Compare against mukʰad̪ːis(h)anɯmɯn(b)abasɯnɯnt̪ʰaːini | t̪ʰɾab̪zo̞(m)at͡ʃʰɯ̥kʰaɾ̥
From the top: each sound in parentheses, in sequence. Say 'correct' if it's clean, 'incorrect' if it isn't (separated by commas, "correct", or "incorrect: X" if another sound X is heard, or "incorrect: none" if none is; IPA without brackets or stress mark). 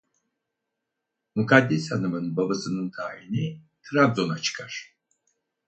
correct, correct, incorrect: n